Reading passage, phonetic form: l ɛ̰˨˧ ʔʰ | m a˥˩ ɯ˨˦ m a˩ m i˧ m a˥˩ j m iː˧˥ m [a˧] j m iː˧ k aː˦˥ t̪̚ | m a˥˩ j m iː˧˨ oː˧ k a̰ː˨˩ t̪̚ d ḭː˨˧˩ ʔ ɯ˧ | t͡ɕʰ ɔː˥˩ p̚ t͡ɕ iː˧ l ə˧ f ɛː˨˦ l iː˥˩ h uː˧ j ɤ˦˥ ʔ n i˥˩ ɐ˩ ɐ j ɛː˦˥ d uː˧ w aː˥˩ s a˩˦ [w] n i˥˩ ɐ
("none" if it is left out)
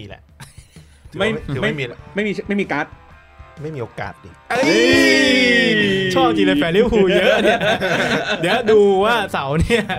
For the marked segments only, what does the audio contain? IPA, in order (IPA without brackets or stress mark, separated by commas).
a˥˩, w